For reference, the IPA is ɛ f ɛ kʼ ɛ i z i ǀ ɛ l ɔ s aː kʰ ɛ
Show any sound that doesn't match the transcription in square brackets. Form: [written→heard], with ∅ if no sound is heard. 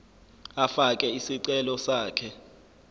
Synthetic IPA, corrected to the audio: [ɛ→a] f [ɛ→a] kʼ ɛ i [z→s] i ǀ ɛ l ɔ s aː kʰ ɛ